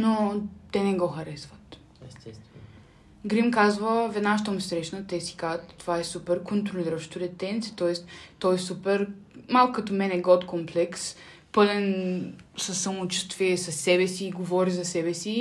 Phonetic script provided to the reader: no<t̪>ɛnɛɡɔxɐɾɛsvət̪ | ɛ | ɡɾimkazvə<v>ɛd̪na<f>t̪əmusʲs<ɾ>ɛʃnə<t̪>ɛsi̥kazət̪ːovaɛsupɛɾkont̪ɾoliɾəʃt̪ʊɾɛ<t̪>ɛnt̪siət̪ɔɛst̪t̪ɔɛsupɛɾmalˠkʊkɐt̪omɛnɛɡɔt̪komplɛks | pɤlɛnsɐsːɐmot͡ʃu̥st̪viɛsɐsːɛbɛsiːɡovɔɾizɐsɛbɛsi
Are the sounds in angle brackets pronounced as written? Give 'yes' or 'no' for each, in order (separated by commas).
yes, yes, no, yes, yes, yes